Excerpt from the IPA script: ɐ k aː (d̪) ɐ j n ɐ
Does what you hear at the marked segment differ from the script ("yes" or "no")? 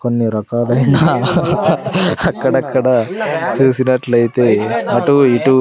no